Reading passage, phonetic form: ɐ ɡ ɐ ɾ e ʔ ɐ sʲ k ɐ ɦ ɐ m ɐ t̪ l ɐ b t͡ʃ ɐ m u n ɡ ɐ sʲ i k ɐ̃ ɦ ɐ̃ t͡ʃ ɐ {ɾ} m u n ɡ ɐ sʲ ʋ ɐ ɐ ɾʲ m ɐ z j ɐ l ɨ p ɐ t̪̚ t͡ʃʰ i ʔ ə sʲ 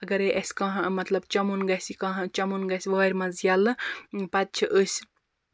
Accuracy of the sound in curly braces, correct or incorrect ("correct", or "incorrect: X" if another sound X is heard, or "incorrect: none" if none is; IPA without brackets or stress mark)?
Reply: incorrect: none